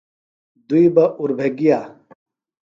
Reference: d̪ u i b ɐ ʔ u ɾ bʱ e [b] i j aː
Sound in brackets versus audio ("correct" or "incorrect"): incorrect